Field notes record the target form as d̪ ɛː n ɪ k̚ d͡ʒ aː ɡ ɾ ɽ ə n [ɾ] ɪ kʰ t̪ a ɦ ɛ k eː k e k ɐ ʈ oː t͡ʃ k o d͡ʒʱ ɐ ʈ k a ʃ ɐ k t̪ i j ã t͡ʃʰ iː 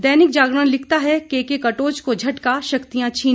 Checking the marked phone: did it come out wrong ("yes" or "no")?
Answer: yes